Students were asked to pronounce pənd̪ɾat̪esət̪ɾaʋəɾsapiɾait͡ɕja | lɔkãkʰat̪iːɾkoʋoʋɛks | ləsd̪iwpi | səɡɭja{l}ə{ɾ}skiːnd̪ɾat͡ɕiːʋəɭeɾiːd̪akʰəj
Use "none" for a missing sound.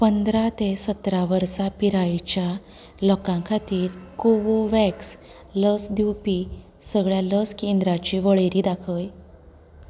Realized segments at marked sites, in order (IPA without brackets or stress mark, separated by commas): l, none